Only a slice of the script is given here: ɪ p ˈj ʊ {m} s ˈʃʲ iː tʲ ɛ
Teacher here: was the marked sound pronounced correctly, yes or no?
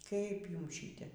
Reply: yes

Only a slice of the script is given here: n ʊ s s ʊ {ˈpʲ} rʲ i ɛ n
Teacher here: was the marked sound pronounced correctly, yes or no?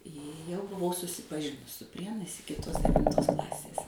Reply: yes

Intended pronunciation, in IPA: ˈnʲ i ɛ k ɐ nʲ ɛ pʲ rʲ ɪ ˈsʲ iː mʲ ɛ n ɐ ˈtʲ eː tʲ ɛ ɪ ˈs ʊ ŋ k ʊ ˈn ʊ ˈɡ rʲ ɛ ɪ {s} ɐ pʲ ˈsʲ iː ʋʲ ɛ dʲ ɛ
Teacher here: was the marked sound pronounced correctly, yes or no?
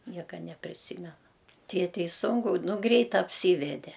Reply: no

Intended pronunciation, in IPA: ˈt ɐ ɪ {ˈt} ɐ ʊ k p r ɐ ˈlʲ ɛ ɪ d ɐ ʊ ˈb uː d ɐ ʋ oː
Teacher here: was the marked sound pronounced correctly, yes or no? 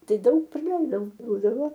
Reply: no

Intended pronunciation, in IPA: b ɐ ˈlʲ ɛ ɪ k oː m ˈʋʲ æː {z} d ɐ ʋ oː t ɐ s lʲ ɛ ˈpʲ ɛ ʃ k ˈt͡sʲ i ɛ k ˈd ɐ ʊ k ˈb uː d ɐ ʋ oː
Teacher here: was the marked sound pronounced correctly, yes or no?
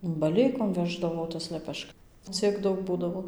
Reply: no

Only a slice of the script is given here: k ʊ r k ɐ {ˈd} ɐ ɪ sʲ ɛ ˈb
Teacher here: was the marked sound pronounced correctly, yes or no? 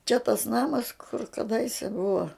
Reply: yes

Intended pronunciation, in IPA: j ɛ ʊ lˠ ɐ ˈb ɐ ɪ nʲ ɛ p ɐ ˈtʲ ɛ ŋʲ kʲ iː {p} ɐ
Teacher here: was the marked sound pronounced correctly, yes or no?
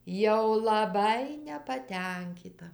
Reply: no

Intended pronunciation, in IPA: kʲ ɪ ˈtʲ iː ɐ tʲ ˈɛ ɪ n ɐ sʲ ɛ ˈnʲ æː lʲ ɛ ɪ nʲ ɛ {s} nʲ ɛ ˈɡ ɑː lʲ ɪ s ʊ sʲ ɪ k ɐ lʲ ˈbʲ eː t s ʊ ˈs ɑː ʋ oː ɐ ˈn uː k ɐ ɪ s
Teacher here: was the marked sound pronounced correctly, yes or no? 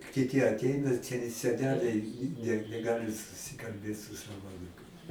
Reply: no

